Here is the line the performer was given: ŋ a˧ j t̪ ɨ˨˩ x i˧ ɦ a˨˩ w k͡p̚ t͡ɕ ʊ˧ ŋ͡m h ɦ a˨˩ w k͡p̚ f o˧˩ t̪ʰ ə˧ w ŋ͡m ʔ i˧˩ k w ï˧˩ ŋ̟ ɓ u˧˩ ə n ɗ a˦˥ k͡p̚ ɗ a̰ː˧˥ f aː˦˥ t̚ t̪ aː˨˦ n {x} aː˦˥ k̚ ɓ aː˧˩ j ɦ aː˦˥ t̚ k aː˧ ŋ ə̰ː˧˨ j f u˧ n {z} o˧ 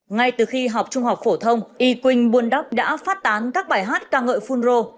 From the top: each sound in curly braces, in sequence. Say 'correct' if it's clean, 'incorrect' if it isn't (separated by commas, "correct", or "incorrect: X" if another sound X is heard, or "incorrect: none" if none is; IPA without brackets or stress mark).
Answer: incorrect: k, correct